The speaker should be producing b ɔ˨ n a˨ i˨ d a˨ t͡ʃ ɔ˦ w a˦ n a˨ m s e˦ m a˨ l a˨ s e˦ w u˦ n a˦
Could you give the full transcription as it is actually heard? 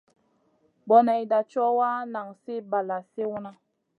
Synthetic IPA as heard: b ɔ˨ n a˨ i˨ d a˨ t͡ʃ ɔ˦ w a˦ n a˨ ŋ s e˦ b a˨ l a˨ s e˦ w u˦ n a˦